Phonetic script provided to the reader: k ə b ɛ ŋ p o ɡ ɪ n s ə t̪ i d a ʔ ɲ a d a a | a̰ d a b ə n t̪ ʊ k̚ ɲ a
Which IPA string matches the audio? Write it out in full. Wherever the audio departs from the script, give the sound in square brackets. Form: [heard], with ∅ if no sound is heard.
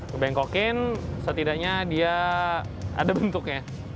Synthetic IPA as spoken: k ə b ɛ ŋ [k] o [k] ɪ n s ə t̪ i d a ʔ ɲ a d [i] a | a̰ d a b ə n t̪ ʊ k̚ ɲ a

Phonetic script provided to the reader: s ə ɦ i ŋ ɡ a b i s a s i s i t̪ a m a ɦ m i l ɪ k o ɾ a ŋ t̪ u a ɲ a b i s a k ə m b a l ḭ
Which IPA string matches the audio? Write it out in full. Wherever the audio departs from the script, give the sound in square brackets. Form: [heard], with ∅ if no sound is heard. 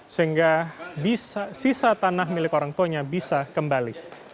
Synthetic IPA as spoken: s ə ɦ i ŋ ɡ a b i s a s i s [a] t̪ a [n] a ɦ m i l ɪ k o ɾ a ŋ t̪ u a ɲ a b i s a k ə m b a l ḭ

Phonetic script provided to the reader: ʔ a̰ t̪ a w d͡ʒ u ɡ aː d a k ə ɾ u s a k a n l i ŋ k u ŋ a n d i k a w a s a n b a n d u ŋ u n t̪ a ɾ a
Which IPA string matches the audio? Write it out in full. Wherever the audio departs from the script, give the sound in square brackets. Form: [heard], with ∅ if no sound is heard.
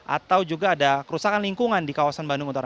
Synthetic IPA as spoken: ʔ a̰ t̪ a w d͡ʒ u ɡ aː d a k ə ɾ u s a k a n l i ŋ k u ŋ a n d i k a w a s a n b a n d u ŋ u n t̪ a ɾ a

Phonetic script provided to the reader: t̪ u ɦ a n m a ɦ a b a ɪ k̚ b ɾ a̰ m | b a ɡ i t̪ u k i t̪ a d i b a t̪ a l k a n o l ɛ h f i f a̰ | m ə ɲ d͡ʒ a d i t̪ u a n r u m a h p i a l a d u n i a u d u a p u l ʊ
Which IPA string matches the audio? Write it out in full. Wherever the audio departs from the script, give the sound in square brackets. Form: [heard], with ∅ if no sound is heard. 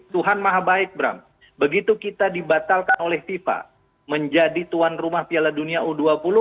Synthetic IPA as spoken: t̪ u ɦ a n m a ɦ a b a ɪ k̚ b ɾ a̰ m | b [ə] ɡ i t̪ u k i t̪ a d i b a t̪ a l k a n o l ɛ h f i f a̰ | m ə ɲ d͡ʒ a d i t̪ u a n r u m a h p i a l a d u n i a u d u a p u l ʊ

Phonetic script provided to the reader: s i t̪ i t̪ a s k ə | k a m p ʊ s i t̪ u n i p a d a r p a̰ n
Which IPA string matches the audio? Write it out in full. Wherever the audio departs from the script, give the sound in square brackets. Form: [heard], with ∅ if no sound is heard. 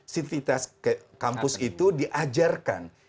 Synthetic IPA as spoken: s i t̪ i t̪ a s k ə | k a m p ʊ s i t̪ u [d] i [ʔ] a [d͡ʒ] a r [k] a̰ n

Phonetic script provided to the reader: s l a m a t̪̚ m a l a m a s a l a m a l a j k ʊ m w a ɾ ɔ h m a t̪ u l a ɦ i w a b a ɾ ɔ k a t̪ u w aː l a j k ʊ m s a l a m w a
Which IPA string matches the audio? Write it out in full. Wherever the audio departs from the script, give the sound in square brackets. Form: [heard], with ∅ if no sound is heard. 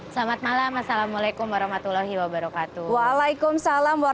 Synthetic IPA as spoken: s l a m a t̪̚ m a l a m a s a l a m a l a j k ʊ m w a ɾ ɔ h m a t̪ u l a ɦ i w a b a ɾ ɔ k a t̪ u w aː l a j k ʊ m s a l a m w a

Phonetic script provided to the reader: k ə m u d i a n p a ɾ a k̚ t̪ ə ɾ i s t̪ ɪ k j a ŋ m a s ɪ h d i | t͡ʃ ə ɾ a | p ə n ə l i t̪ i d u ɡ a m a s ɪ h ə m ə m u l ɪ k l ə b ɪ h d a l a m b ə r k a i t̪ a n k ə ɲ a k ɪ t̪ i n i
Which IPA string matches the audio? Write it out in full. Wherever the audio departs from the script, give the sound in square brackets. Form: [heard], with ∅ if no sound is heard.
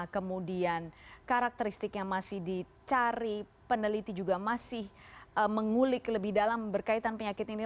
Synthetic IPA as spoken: k ə m u d i a n [k] a ɾ a k̚ t̪ ə ɾ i s t̪ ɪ k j a ŋ m a s ɪ h d i | t͡ʃ [a] ɾ [i] | p ə n ə l i t̪ i [d͡ʒ] u ɡ a m a s ɪ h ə m ə [ŋ] u l ɪ k l ə b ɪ h d a l a m b ə r k a i t̪ a n [p] ə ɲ a k ɪ t̪ i n i

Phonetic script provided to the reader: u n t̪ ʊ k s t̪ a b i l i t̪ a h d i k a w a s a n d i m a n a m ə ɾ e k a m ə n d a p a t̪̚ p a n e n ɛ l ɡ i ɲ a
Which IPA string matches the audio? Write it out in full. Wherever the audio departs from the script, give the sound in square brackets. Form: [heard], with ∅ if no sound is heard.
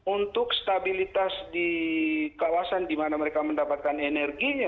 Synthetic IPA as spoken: u n t̪ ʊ k s t̪ a b i l i t̪ a [s] d i k a w a s a n d i m a n a m ə ɾ e k a m ə n d a p a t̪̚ [k] a n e n ɛ [r] ɡ i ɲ a

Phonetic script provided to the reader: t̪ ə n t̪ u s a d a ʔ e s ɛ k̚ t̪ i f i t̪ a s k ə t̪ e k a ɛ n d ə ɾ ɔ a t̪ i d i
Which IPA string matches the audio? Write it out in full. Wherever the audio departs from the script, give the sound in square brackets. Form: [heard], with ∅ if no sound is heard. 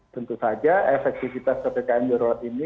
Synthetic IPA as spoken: t̪ ə n t̪ u s a [d͡ʒ] a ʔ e [f] ɛ k̚ t̪ i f i t̪ a s k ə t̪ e k a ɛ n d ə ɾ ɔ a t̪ i [n] i

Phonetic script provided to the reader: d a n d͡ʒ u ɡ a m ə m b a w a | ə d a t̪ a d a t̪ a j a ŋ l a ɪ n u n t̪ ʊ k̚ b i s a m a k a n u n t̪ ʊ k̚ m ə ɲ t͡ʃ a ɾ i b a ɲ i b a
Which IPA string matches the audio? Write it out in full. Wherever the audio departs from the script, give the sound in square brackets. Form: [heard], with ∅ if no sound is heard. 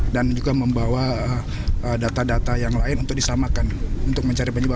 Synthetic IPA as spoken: d a n d͡ʒ u ɡ a m ə m b a w a | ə d a t̪ a d a t̪ a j a ŋ l a ɪ n u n t̪ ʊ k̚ [d] i s a m a k a n u n t̪ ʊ k̚ m ə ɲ t͡ʃ a ɾ i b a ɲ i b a

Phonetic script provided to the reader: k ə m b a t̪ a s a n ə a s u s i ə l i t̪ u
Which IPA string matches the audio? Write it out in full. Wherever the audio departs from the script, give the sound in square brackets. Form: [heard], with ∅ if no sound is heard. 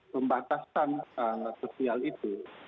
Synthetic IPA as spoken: [p] ə m b a t̪ a s a n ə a s [o] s i [a] l i t̪ u

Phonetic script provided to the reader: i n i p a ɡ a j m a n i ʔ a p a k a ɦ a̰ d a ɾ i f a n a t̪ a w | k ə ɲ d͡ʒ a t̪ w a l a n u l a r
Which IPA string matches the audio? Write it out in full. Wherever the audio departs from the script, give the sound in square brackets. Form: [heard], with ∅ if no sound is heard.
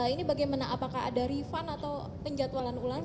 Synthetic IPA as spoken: i n i [b] a ɡ a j m a n [a] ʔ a p a k a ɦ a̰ d a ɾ i f a n a t̪ a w | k ə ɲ d͡ʒ a t̪ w a l a n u l a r

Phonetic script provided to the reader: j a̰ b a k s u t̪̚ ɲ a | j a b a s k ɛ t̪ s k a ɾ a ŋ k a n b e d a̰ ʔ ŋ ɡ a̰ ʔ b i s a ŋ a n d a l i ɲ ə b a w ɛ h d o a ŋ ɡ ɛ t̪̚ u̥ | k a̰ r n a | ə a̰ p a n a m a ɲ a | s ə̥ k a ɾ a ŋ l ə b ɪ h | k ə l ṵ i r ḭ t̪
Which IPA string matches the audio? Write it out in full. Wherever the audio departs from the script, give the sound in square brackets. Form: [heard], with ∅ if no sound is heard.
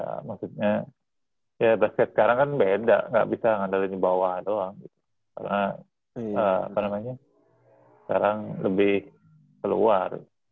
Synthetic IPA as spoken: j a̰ [m] a k s u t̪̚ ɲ a | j a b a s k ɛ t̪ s k a ɾ a ŋ k a n b e d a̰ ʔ ŋ ɡ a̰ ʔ b i s a ŋ a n d a l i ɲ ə b a w [a] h d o a ŋ ɡ [i] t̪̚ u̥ | k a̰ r n a | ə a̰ p a n a m a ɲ a | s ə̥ k a ɾ a ŋ l ə b ɪ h | k ə l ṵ [a] r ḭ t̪

